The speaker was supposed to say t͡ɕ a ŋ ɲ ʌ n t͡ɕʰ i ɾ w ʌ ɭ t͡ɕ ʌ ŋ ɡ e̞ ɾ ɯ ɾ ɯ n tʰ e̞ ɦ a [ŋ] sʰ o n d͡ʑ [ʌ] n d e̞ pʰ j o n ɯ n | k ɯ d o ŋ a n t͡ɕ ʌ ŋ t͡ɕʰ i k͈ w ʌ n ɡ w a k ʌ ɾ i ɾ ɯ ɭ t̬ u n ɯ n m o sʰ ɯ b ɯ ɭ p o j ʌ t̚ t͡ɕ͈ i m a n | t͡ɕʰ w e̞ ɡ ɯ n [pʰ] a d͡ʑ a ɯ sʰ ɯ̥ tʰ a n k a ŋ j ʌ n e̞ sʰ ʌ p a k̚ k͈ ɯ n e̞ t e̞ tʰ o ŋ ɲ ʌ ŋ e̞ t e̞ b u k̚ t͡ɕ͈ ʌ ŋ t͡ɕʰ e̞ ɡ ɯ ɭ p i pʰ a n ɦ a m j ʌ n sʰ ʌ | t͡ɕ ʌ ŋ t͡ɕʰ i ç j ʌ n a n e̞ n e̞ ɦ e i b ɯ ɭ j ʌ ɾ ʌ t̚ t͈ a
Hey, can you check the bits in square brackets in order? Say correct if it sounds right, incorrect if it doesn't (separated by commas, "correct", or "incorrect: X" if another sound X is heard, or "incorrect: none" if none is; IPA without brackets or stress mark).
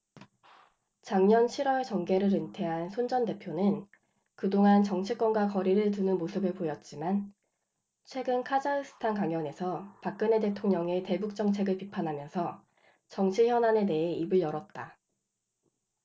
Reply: incorrect: n, correct, incorrect: kʰ